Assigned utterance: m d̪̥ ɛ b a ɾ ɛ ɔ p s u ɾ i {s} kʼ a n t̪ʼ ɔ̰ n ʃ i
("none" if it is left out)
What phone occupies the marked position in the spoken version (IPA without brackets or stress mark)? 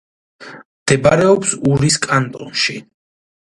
s